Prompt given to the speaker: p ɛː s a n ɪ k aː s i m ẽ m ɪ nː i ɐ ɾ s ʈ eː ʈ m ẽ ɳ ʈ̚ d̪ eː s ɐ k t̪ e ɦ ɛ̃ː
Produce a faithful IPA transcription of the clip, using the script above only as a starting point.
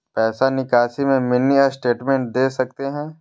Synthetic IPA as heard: p ɛː s a n ɪ k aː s i m ẽ m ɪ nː i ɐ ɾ s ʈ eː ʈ m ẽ ɳ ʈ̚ d̪ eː s ɐ k t̪ e ɦ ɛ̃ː